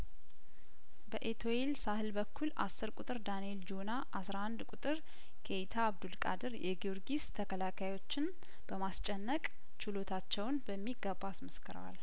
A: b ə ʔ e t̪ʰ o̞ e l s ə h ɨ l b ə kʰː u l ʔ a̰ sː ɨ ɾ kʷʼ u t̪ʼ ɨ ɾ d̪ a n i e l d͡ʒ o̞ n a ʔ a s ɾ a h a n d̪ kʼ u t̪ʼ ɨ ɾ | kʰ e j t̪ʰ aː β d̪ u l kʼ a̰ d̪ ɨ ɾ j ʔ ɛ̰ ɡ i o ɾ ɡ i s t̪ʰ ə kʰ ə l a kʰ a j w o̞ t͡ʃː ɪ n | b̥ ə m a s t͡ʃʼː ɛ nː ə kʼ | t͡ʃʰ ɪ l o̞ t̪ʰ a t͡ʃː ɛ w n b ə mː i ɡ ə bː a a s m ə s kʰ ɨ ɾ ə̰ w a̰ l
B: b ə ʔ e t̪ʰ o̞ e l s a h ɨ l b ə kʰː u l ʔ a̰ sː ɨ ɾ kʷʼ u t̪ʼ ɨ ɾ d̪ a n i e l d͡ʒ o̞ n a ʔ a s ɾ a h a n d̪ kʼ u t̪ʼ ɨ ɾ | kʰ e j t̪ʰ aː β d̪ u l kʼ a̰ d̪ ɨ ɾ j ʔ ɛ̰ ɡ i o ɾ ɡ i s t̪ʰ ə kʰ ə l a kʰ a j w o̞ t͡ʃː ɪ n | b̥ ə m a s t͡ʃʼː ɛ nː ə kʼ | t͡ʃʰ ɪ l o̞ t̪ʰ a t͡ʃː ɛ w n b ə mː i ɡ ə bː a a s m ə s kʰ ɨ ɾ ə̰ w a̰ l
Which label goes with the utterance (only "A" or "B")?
B